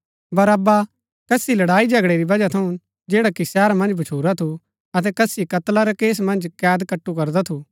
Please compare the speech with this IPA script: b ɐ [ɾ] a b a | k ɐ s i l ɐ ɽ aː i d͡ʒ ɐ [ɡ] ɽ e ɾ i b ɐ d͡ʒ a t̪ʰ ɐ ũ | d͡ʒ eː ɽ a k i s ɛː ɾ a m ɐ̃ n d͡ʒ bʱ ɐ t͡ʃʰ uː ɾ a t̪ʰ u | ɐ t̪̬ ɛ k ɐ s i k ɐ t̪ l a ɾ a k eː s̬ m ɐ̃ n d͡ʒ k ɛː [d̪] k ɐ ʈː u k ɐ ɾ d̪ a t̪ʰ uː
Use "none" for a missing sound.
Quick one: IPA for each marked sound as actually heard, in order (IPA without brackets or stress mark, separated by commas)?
ɾ, ɡ, d̪